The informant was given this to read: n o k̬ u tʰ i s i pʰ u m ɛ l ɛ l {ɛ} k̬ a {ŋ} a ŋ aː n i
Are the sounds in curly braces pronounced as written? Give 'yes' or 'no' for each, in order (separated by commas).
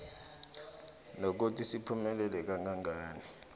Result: yes, yes